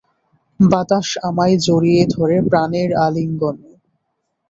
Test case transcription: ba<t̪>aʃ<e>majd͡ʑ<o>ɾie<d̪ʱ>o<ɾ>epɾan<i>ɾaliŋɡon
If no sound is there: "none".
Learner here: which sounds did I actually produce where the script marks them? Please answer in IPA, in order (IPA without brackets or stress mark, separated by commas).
t̪, a, o, d̪ʱ, ɾ, e